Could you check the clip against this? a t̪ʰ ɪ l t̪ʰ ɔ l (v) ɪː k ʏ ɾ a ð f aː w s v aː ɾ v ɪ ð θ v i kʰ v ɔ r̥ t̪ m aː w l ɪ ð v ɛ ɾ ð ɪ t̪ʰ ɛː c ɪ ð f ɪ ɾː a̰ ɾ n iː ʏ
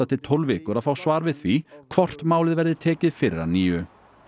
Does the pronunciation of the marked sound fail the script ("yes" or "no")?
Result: no